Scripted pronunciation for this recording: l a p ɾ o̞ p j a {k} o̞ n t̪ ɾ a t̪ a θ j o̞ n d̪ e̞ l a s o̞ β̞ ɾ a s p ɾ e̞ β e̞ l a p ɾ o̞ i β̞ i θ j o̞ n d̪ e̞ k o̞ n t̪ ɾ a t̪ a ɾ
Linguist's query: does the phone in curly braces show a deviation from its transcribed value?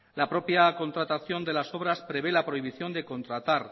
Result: no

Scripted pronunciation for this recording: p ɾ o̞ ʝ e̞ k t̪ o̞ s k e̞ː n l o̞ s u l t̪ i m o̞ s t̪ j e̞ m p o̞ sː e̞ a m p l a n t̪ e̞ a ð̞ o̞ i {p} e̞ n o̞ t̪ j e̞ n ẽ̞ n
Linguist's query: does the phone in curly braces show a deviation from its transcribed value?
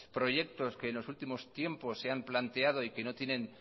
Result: yes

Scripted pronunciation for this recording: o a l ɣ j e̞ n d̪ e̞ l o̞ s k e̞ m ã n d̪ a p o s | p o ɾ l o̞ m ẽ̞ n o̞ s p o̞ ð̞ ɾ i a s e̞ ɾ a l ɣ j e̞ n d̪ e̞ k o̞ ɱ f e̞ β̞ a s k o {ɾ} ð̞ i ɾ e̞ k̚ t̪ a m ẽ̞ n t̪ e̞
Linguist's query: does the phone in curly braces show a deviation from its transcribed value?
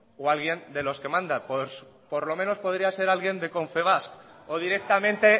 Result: yes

